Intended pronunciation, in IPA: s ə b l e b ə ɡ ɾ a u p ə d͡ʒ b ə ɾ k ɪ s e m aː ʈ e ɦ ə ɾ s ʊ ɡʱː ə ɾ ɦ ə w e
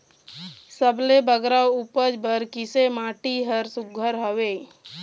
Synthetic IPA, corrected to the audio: s ə b l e b ə ɡ ɾ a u p ə d͡ʒ b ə ɾ k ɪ s e m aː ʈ i ɦ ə ɾ s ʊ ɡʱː ə ɾ ɦ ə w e